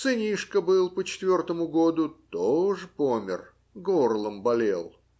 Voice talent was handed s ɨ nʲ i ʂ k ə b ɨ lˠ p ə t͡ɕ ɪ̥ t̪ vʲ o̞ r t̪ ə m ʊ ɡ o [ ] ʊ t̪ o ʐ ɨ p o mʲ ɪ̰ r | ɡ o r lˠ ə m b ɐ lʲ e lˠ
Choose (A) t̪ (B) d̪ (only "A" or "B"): B